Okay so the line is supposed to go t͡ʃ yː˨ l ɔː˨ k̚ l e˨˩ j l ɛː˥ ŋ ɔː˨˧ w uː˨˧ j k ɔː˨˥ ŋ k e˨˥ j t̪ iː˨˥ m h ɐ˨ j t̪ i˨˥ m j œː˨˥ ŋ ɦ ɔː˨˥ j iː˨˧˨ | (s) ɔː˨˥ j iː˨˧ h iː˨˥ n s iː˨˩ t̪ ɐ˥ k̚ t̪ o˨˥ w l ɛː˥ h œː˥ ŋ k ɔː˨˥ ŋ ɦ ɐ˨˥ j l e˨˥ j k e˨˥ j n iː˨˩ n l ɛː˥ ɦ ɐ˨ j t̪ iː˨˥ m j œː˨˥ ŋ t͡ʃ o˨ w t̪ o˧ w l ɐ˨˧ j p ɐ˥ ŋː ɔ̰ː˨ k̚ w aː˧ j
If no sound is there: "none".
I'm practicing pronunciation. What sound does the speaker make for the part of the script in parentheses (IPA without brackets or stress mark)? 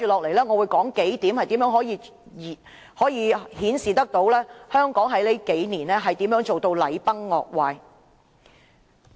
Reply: h